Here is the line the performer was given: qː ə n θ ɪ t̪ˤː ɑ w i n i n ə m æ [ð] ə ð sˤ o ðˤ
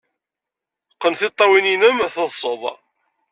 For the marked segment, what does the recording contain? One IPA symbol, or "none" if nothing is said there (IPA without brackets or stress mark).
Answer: θ